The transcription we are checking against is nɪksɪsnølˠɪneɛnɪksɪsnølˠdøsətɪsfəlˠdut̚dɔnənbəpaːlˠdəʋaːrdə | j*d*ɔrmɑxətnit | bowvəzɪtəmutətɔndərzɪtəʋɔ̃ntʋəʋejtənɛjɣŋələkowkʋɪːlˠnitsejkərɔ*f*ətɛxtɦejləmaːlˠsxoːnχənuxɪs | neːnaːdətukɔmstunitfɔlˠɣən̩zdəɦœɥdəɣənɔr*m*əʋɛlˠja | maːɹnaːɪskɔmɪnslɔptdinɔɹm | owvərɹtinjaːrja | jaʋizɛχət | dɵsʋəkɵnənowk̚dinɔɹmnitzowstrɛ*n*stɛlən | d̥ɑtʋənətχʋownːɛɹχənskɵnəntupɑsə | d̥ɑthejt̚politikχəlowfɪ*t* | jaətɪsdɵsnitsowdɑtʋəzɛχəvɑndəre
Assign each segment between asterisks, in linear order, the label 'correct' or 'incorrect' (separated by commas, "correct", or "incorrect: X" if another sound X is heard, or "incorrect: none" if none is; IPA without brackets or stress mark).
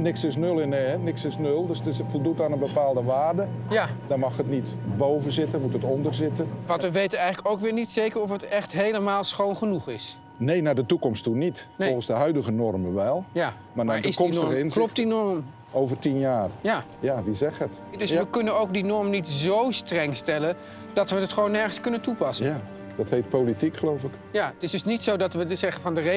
correct, correct, correct, incorrect: ŋ, incorrect: k